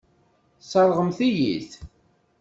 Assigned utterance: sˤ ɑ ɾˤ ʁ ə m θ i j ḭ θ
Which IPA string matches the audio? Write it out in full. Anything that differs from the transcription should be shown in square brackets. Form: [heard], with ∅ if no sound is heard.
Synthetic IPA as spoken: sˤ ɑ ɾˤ ʁ ə m θ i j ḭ θ